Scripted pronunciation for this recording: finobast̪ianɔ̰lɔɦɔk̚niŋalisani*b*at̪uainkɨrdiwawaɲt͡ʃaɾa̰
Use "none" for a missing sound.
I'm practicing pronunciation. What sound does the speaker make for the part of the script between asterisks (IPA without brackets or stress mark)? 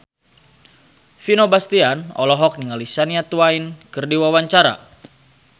none